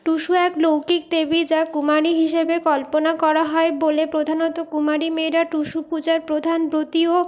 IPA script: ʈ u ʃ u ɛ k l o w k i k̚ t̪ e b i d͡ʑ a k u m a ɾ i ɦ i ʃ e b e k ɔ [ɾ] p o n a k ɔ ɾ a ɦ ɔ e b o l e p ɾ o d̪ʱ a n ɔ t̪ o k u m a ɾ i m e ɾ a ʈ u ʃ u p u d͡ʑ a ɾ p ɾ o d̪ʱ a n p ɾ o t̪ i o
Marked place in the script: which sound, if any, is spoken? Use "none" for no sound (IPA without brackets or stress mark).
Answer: l